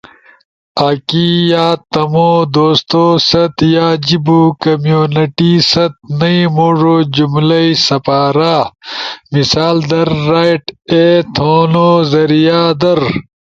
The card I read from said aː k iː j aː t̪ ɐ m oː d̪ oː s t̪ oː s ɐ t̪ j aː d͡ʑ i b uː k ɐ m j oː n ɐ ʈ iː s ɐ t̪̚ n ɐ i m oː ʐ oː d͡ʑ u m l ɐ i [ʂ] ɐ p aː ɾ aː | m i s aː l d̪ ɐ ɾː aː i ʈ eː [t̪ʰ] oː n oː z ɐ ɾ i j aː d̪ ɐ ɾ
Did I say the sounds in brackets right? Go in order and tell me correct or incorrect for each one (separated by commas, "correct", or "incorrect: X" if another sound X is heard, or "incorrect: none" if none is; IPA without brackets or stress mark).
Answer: incorrect: s, correct